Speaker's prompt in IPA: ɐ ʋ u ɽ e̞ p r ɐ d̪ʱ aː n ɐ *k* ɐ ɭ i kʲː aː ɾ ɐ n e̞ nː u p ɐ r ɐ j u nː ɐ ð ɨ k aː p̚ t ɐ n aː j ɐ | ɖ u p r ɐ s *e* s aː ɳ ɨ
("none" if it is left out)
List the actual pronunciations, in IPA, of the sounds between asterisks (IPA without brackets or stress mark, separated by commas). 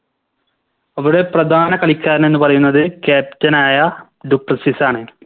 k, i